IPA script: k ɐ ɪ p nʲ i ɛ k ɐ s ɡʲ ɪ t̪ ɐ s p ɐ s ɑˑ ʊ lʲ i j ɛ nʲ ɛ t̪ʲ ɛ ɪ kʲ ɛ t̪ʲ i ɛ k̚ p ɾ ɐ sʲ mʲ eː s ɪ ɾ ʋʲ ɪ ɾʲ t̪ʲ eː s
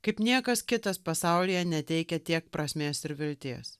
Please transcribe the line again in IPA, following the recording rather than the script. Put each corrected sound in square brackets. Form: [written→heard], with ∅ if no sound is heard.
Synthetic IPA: k ɐ ɪ p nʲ i ɛ k ɐ s [ɡʲ→kʲ] ɪ t̪ ɐ s p ɐ s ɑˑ ʊ lʲ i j ɛ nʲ ɛ t̪ʲ ɛ ɪ kʲ ɛ t̪ʲ i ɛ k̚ p ɾ ɐ sʲ mʲ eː s ɪ ɾ ʋʲ ɪ [ɾʲ→lʲ] t̪ʲ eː s

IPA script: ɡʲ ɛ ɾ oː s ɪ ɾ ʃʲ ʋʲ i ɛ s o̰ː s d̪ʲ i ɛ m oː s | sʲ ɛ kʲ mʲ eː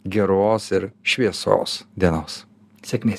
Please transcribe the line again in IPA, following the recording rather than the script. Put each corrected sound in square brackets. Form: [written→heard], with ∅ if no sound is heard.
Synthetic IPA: ɡʲ ɛ ɾ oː s ɪ ɾ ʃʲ ʋʲ i ɛ s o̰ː s d̪ʲ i ɛ [m→n] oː s | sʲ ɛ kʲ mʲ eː

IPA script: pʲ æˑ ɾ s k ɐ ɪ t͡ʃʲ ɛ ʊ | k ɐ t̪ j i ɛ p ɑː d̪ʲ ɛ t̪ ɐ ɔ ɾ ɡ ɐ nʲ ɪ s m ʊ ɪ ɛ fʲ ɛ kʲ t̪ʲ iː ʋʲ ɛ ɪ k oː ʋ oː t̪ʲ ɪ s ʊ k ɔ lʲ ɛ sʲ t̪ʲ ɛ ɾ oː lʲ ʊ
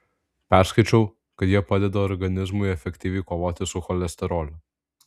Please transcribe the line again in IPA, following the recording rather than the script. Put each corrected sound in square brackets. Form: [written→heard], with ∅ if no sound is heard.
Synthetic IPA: pʲ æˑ ɾ s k ɐ ɪ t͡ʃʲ ɛ ʊ | k ɐ t̪ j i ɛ p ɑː d̪ʲ ɛ [t̪→d̪] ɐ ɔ ɾ ɡ ɐ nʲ ɪ [s→z] m ʊ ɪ ɛ fʲ ɛ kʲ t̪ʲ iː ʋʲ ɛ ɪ k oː ʋ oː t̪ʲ ɪ s ʊ [k→x] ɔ lʲ ɛ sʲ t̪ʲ ɛ ɾ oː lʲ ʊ

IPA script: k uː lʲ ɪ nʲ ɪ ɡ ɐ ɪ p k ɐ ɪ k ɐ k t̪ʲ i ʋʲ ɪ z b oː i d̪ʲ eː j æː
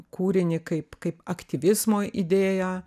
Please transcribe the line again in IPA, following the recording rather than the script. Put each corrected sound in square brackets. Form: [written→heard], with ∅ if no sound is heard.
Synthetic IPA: k uː [lʲ→ɾʲ] ɪ nʲ ɪ [ɡ→k] ɐ ɪ p k ɐ ɪ [k→p] ɐ k t̪ʲ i ʋʲ ɪ z [b→m] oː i d̪ʲ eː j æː

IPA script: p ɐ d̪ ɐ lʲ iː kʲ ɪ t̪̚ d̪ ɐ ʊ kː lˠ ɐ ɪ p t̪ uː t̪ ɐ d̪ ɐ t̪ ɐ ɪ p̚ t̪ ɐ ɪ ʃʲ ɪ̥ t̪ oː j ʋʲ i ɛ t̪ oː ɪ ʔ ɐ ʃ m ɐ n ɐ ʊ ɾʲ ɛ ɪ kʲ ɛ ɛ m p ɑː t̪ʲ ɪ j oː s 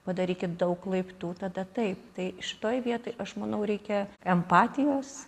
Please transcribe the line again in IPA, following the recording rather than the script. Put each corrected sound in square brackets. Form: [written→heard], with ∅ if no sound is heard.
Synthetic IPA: p ɐ d̪ ɐ [lʲ→ɾʲ] iː kʲ ɪ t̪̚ d̪ ɐ ʊ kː lˠ ɐ ɪ p t̪ uː t̪ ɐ d̪ ɐ t̪ ɐ ɪ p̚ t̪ ɐ ɪ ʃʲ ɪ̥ t̪ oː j ʋʲ i ɛ t̪ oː ɪ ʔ ɐ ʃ m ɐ n ɐ ʊ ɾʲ ɛ ɪ kʲ ɛ ɛ m p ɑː t̪ʲ ɪ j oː s

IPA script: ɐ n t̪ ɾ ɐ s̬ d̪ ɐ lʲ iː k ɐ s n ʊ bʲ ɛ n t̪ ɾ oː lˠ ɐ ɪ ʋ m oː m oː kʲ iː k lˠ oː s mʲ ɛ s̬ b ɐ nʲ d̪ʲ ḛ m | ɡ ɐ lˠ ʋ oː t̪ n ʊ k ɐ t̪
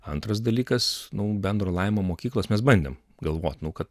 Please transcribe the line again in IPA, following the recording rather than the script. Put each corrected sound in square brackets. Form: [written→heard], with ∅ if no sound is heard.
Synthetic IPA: ɐ n t̪ ɾ ɐ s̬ d̪ ɐ lʲ iː k ɐ s n ʊ bʲ ɛ n [t̪→d̪] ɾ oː lˠ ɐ ɪ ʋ m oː m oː kʲ iː k lˠ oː s mʲ ɛ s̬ b ɐ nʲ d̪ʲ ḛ m | ɡ ɐ lˠ ʋ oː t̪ n ʊ k ɐ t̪

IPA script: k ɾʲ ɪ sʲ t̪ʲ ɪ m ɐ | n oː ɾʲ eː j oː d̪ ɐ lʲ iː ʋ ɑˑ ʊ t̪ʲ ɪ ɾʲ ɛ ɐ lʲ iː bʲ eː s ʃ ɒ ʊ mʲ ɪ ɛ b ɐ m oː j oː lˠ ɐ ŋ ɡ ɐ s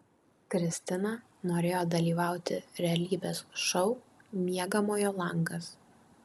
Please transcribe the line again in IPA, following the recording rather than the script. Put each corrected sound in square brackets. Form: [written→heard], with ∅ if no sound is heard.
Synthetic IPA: k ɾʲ ɪ sʲ t̪ʲ ɪ [m→n] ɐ | n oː ɾʲ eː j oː d̪ ɐ lʲ iː ʋ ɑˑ ʊ t̪ʲ ɪ ɾʲ ɛ ɐ lʲ iː bʲ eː s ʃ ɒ ʊ mʲ [ɪ→i] ɛ [b→ɡ] ɐ m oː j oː lˠ ɐ ŋ ɡ ɐ s

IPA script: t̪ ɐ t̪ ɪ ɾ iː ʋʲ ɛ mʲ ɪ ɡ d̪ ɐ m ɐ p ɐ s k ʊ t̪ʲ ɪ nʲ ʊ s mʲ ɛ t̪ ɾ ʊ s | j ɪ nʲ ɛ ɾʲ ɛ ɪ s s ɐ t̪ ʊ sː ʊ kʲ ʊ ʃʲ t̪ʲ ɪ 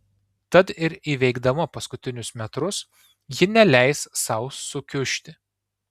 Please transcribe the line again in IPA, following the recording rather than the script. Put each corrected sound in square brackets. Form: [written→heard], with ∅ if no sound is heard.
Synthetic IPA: t̪ ɐ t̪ ɪ ɾ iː ʋʲ ɛ [mʲ→∅] ɪ ɡ d̪ ɐ m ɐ p ɐ s k ʊ t̪ʲ ɪ nʲ ʊ s mʲ ɛ t̪ ɾ ʊ s | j ɪ nʲ ɛ [ɾʲ→lʲ] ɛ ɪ s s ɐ [t̪→∅] ʊ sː ʊ kʲ ʊ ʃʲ t̪ʲ ɪ

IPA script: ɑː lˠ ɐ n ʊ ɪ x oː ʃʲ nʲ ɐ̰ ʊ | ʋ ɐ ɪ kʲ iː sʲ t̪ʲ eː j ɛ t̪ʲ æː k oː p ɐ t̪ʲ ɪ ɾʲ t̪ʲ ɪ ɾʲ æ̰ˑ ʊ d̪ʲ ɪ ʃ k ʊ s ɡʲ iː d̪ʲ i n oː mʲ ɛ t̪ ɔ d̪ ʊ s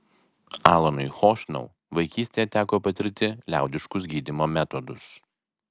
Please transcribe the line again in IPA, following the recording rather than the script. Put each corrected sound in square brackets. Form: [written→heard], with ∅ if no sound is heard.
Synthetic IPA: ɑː lˠ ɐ n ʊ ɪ x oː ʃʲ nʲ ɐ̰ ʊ | ʋ ɐ ɪ kʲ iː sʲ t̪ʲ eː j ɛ t̪ʲ æː k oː p ɐ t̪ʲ ɪ ɾʲ t̪ʲ ɪ [ɾʲ→lʲ] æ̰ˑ ʊ d̪ʲ ɪ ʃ k ʊ s ɡʲ iː d̪ʲ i [n→m] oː mʲ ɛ t̪ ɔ d̪ ʊ s

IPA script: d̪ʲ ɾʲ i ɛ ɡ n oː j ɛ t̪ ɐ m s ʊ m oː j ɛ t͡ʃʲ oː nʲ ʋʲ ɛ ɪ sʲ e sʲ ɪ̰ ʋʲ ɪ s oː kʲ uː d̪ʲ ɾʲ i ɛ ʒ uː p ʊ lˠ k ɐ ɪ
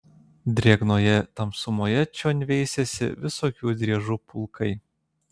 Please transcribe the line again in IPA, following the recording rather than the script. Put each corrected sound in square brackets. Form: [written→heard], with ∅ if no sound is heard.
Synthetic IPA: d̪ʲ ɾʲ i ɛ ɡ n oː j ɛ t̪ ɐ m s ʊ m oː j ɛ t͡ʃʲ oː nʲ ʋʲ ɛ ɪ sʲ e sʲ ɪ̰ ʋʲ ɪ s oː kʲ uː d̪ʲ ɾʲ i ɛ ʒ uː p ʊ lˠ k ɐ ɪ

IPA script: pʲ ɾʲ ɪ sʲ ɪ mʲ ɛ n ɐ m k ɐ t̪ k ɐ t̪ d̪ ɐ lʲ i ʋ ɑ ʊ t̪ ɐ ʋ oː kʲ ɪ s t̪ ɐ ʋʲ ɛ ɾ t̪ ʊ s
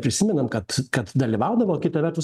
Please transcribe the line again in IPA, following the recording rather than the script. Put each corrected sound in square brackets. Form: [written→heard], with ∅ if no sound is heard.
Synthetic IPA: pʲ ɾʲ ɪ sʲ ɪ mʲ ɛ n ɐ m k ɐ t̪ k ɐ t̪ d̪ ɐ lʲ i ʋ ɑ ʊ [t̪→d̪] ɐ ʋ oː kʲ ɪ [s→∅] t̪ ɐ ʋʲ ɛ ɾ t̪ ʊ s

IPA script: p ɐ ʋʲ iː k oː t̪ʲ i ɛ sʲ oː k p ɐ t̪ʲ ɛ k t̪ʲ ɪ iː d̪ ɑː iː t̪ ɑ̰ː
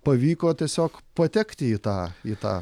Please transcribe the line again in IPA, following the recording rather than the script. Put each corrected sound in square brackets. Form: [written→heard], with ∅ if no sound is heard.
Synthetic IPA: p ɐ ʋʲ iː k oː t̪ʲ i ɛ sʲ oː k p ɐ t̪ʲ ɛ k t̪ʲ ɪ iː [d̪→t̪] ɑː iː t̪ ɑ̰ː

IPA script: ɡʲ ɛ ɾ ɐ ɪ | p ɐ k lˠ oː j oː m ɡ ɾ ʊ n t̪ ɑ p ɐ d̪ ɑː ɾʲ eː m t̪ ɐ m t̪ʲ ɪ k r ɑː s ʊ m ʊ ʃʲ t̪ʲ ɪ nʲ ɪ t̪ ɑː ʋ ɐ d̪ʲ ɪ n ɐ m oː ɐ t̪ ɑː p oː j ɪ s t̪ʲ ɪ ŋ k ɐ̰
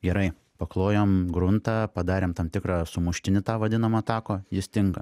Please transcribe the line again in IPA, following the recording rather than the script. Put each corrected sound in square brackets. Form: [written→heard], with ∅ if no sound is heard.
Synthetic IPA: ɡʲ ɛ ɾ ɐ ɪ | p ɐ k lˠ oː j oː m ɡ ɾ ʊ n t̪ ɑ p ɐ d̪ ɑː ɾʲ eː m t̪ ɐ m t̪ʲ ɪ k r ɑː s ʊ m ʊ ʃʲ t̪ʲ ɪ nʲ ɪ t̪ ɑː ʋ ɐ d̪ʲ ɪ n ɐ m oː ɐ t̪ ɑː [p→k] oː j ɪ s t̪ʲ ɪ ŋ k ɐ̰

